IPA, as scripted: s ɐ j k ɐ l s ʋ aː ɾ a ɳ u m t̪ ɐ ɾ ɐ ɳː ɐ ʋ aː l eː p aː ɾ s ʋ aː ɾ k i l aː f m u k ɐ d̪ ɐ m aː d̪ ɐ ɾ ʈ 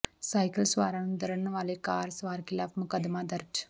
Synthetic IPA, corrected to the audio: s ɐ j k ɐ l s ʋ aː ɾ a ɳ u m d̪ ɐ ɾ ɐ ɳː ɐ ʋ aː l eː k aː ɾ s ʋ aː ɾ k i l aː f m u k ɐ d̪ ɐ m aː d̪ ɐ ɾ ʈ